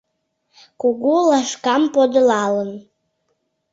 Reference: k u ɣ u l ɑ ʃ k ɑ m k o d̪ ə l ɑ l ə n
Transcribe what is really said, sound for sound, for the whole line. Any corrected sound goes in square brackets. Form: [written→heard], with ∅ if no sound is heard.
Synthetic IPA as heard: k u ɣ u l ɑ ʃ k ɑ m [k→p] o d̪ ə l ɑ l ə n